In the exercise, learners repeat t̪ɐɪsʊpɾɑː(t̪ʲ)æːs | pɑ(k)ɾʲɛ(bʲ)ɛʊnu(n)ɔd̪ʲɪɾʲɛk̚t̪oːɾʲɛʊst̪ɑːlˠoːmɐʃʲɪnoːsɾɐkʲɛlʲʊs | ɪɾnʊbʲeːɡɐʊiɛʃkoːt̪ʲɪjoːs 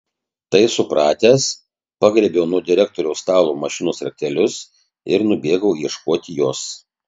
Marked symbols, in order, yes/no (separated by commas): yes, no, yes, no